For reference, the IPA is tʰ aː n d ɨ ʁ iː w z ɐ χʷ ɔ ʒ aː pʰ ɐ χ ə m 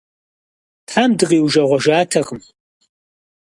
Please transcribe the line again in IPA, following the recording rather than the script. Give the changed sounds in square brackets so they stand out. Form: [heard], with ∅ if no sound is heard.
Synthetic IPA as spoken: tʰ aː [m] d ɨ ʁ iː w [ʒ] ɐ [ʁʷ] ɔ ʒ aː [tʰ] ɐ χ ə m